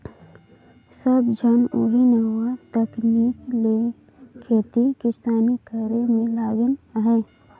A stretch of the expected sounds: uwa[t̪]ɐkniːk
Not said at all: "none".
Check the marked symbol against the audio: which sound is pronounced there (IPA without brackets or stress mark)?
t̪